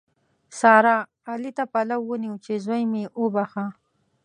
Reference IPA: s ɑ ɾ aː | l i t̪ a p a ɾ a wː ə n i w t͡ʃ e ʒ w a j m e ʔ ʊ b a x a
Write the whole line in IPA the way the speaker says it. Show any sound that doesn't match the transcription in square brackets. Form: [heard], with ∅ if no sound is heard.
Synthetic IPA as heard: s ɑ ɾ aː | l i t̪ a p a [l] a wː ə n i w t͡ʃ e [z] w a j m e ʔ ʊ b a x a